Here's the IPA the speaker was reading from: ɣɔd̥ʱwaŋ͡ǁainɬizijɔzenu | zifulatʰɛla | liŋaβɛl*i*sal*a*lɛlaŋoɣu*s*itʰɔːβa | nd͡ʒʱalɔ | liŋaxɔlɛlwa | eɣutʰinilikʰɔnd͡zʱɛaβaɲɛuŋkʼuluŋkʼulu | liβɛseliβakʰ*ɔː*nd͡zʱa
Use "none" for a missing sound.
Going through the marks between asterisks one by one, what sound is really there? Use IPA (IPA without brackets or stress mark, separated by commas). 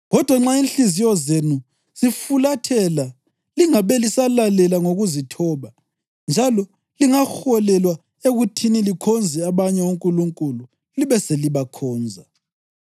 i, a, z, ɔː